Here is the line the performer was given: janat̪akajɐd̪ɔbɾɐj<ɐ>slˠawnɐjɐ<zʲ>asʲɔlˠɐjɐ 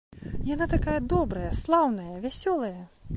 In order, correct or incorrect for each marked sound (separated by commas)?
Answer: correct, incorrect